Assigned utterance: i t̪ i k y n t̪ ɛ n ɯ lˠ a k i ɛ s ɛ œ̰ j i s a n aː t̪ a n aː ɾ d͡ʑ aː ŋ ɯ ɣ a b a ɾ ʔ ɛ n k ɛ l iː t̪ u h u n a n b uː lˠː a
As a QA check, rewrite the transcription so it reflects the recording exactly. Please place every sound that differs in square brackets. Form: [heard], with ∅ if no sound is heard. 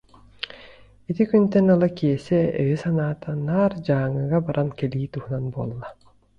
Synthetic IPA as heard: i t̪ i k y n t̪ ɛ n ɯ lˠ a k i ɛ s ɛ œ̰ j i s a n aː t̪ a n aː ɾ d͡ʑ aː ŋ ɯ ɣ a b a ɾ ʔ [a] n k ɛ l iː t̪ u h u n a n b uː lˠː a

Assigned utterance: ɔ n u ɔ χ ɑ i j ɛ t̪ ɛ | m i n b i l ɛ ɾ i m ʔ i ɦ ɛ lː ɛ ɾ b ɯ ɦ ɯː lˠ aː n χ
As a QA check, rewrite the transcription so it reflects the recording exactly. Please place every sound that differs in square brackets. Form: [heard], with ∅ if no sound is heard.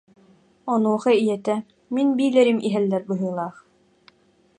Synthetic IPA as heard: ɔ n u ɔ χ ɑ i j ɛ t̪ ɛ | m i n b [iː] l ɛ ɾ i m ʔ i ɦ ɛ lː ɛ ɾ b ɯ ɦ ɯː lˠ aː [∅] χ

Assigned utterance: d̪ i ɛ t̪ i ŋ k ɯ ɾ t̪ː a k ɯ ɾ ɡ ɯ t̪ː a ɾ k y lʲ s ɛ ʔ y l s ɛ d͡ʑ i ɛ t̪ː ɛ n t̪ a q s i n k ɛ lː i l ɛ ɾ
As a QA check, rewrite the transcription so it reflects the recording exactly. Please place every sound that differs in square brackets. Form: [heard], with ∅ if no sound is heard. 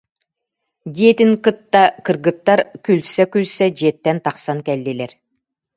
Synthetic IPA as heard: d̪ i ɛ t̪ i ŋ k ɯ [∅] t̪ː a k ɯ ɾ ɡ ɯ t̪ː a ɾ k y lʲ s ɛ [k] y l s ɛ d͡ʑ i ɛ t̪ː ɛ n t̪ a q s [a] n k ɛ lː i l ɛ ɾ

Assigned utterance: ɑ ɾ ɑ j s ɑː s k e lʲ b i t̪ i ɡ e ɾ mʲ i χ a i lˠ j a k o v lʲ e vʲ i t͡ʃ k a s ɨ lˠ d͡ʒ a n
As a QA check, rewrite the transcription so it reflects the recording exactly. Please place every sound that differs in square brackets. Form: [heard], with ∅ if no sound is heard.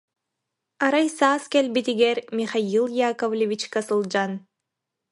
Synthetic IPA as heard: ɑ ɾ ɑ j s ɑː s k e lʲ b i t̪ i ɡ e ɾ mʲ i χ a i lˠ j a k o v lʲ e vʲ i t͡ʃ k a s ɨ lˠ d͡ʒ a n

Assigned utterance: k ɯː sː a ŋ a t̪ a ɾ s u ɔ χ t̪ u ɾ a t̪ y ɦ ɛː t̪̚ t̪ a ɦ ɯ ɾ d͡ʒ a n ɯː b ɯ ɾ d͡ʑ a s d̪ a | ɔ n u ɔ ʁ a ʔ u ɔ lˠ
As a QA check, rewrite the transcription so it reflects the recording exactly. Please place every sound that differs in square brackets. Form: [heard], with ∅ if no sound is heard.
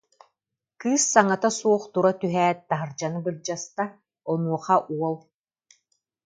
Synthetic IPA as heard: k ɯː sː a ŋ a t̪ a [∅] s u ɔ χ t̪ u ɾ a t̪ y ɦ ɛː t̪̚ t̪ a ɦ ɯ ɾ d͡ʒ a n [ɯ] b ɯ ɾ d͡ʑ a s [t̪] a | ɔ n u ɔ [χ] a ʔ u ɔ lˠ

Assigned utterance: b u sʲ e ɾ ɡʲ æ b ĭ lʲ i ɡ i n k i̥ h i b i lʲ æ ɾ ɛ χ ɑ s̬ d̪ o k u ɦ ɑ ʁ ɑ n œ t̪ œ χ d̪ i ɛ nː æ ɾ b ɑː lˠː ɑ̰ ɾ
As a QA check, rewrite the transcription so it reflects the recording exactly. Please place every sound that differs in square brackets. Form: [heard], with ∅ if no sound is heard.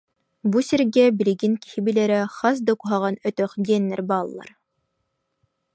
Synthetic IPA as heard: b u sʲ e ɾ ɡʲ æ b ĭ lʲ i ɡ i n k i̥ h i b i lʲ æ ɾ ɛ χ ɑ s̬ d̪ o k u ɦ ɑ ʁ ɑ n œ t̪ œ χ d̪ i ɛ nː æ ɾ b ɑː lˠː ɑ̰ ɾ

